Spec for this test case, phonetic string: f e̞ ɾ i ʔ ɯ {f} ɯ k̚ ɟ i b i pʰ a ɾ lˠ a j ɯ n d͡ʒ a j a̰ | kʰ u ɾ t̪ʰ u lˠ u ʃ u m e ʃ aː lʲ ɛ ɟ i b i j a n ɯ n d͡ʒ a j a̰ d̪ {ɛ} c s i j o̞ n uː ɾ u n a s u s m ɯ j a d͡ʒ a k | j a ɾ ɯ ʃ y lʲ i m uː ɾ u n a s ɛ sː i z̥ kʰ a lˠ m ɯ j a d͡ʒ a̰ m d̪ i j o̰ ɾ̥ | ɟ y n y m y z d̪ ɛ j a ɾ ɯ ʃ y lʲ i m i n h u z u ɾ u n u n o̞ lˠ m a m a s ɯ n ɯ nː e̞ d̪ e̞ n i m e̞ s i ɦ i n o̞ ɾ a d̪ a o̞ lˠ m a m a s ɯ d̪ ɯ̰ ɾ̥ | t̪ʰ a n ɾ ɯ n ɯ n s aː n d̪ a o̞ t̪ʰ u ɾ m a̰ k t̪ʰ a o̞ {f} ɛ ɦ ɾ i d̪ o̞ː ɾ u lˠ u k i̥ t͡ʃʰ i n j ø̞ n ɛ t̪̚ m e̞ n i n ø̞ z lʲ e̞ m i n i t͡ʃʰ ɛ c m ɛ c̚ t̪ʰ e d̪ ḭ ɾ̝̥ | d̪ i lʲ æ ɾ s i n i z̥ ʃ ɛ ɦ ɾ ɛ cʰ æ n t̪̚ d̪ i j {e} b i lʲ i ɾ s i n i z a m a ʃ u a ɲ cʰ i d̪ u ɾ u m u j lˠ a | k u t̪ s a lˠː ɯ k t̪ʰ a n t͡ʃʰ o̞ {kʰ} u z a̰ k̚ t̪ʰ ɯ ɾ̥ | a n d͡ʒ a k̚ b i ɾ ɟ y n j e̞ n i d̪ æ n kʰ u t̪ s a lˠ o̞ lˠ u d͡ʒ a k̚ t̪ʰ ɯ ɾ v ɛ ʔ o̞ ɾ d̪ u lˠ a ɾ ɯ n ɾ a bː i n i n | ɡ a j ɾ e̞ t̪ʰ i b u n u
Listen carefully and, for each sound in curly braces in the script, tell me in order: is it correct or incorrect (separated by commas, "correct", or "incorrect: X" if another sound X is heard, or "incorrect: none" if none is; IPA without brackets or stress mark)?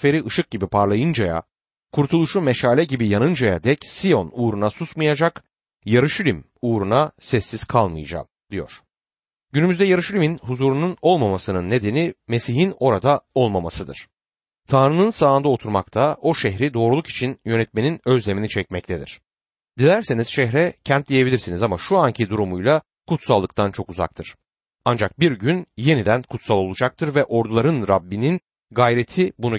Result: incorrect: ʃ, correct, incorrect: ʃ, correct, incorrect: k